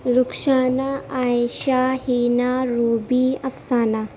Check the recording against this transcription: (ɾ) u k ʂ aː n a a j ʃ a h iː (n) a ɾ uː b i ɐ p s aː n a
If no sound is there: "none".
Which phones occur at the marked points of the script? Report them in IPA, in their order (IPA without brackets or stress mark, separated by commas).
ɾ, n